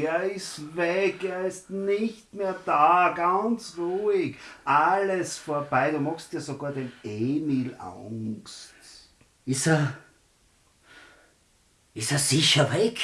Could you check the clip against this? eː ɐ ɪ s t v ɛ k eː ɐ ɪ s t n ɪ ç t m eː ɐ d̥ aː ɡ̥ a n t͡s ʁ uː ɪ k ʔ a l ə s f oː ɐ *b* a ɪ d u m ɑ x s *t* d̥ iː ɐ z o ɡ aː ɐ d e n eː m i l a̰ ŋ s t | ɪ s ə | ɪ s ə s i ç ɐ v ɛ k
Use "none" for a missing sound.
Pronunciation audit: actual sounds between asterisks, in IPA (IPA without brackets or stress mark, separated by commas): b, t